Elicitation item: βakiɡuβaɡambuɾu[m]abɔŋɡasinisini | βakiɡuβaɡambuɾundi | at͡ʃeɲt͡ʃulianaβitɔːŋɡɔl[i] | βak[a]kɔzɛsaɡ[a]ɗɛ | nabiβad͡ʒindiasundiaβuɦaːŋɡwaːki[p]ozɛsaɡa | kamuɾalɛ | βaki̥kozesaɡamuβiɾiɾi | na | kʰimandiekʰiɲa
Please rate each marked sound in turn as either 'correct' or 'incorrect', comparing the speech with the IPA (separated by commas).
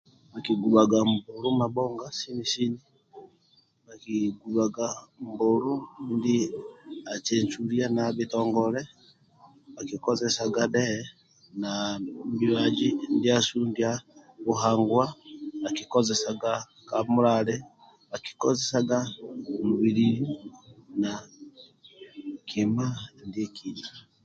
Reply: correct, incorrect, incorrect, correct, incorrect